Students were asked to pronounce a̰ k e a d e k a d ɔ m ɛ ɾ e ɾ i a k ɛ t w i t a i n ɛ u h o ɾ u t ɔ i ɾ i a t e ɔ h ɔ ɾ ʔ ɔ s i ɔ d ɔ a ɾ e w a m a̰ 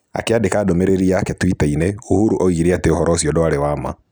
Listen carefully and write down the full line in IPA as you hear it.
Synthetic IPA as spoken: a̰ k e a d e k a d ɔ m ɛ ɾ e ɾ i a k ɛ t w i t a i n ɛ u h u ɾ u ʔ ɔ i ɾ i a t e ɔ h ɔ ɾ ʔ ɔ s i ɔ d ɔ a ɾ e w a m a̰

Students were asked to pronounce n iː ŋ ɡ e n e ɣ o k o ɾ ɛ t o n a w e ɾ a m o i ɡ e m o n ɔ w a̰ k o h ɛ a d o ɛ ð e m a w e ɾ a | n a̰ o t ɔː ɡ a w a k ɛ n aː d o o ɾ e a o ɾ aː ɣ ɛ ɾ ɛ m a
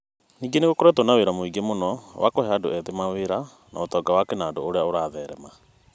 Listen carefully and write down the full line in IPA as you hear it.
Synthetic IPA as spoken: n iː ŋ ɡ e n e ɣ o k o ɾ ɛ t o n a w e ɾ a m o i ɡ e m o n ɔ w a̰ k o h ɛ a d o ɛ ð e m a w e ɾ a | n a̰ o t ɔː ɡ a w a k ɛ n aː d o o ɾ e a o ɾ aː ð ɛ ɾ ɛ m a

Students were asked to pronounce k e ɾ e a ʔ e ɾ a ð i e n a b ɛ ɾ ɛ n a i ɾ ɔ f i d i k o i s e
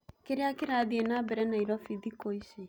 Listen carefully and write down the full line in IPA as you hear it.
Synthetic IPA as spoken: k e ɾ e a k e ɾ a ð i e n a b ɛ ɾ ɛ n a i ɾ ɔ f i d i k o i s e

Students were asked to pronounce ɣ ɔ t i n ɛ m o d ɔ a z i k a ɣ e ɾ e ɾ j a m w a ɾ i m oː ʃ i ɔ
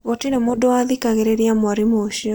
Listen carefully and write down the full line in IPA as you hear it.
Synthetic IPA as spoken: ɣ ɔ t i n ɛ m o d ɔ a ð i k a ɣ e ɾ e ɾ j a m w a ɾ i m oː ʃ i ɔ

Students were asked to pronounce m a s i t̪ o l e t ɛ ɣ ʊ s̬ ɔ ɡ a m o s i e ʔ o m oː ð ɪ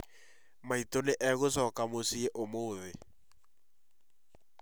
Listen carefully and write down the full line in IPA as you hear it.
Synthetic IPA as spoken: m a i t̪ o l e ʔ ɛ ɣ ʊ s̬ ɔ k a m o s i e ʔ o m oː ð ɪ

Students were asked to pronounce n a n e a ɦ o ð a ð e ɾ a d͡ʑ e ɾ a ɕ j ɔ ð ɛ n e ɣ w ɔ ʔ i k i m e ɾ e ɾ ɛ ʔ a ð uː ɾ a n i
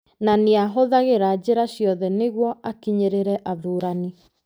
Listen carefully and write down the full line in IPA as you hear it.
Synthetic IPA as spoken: n a n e a ɦ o ð a ɣ e ɾ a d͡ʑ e ɾ a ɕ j ɔ ð ɛ n e ɣ w ɔ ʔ a k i ɲ e ɾ e ɾ ɛ ʔ a ð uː ɾ a n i

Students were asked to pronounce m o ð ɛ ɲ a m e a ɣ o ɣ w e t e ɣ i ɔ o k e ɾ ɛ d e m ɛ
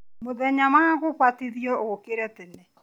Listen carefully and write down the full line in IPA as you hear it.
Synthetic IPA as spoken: m o ð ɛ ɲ a m a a ɣ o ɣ w a t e ð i ɔ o k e ɾ ɛ t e n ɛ

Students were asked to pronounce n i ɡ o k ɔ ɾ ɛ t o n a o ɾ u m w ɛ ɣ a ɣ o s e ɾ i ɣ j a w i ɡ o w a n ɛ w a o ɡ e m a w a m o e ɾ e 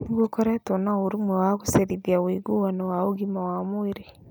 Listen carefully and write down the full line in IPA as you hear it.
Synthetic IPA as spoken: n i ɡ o k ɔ ɾ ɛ t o n a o ɾ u m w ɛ w a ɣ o s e ɾ i ð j a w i ɡ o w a n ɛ w a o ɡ i m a w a m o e ɾ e

